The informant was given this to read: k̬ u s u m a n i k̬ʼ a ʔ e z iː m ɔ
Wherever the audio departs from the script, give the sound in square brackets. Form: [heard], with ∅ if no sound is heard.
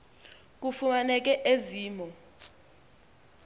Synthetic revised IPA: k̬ u [f] u m a n [ɛ] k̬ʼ [ɛ] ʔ e z iː m ɔ